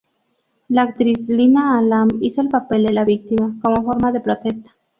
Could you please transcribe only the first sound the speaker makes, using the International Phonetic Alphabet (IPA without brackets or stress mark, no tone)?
l